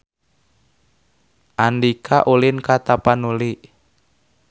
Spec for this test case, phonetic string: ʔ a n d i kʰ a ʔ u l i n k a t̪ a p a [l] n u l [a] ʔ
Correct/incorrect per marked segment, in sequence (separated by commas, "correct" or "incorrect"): incorrect, incorrect